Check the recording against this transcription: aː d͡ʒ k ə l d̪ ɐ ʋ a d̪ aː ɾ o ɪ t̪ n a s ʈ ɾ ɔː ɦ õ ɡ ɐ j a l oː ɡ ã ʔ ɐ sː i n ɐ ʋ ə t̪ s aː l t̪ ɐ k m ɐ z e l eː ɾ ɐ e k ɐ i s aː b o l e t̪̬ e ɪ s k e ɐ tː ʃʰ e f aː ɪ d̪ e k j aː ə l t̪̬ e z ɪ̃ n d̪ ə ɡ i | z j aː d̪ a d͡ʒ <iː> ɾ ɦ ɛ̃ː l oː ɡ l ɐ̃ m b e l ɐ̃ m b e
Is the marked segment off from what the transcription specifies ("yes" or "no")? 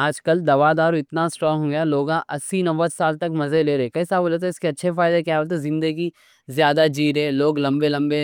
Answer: no